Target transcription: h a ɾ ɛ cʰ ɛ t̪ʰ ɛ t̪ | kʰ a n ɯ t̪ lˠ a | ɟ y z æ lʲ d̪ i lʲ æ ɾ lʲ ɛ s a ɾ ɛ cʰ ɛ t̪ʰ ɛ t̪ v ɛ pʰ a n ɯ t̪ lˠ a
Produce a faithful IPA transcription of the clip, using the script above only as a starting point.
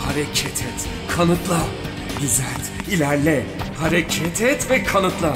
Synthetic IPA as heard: h a ɾ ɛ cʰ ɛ t̪ʰ ɛ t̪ | kʰ a n ɯ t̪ lˠ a | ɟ y z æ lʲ t̪ i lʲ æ ɾ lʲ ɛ h a ɾ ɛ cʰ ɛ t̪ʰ ɛ t̪ v ɛ kʰ a n ɯ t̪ lˠ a